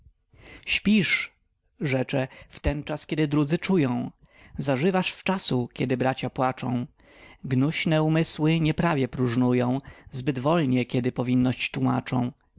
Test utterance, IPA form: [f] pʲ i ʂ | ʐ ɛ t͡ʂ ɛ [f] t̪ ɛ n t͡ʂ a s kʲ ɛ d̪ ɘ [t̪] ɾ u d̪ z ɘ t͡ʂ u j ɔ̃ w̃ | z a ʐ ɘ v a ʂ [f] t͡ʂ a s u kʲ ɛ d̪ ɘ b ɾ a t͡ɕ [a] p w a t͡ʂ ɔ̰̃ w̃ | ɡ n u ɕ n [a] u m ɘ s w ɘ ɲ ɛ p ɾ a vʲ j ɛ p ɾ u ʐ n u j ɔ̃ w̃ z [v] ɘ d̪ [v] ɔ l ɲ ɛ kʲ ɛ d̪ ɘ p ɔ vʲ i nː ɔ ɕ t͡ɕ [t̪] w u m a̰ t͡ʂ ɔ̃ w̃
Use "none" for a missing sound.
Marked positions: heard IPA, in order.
ɕ, f, d̪, f, a, ɛ, b, v, t̪

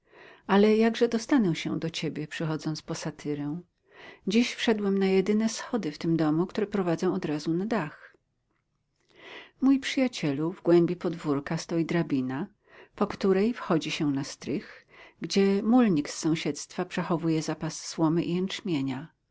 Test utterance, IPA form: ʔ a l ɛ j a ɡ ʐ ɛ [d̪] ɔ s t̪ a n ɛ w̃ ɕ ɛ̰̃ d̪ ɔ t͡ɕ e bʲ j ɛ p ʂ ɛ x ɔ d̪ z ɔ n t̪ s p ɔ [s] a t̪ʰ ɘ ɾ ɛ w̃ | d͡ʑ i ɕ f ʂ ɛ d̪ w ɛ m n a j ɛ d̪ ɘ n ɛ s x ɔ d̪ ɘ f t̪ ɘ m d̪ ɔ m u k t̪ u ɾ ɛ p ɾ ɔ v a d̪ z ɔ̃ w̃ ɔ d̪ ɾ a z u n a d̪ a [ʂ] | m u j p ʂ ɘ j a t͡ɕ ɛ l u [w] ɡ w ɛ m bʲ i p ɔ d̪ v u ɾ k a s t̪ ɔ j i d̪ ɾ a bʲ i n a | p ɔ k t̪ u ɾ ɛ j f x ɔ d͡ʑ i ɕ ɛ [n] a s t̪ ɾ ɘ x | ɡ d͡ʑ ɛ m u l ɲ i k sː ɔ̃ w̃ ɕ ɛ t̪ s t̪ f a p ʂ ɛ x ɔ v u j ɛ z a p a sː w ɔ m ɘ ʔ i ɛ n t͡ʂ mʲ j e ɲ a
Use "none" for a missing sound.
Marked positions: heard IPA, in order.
d̪, s, x, v, n

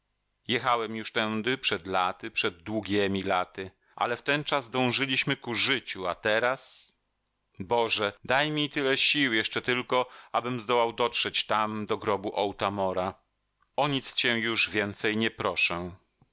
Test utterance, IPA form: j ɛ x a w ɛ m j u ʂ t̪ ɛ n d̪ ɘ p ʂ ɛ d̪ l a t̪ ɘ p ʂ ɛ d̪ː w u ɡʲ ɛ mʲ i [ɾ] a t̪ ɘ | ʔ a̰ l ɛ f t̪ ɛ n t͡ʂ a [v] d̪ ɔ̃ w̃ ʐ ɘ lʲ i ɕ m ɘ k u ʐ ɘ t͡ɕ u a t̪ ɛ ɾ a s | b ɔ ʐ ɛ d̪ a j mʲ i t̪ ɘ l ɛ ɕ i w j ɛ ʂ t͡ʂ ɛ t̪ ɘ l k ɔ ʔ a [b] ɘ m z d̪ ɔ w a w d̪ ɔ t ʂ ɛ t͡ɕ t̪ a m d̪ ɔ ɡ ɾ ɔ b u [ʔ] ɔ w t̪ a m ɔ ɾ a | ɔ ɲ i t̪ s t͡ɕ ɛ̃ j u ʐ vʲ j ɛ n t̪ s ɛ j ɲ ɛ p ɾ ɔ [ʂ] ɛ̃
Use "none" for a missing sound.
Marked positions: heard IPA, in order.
l, z, b, ʔ, ʂ

